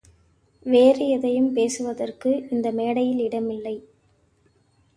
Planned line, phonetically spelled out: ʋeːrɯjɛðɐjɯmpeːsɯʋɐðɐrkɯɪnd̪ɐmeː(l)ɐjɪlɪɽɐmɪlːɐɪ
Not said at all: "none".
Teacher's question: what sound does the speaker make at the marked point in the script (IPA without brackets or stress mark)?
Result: ɽ